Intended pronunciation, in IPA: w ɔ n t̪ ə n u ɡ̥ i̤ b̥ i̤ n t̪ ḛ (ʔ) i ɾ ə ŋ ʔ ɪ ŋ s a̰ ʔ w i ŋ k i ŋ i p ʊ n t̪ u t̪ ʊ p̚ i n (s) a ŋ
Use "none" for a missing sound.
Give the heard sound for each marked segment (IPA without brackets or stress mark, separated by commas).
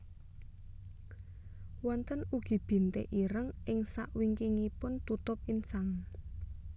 ʔ, s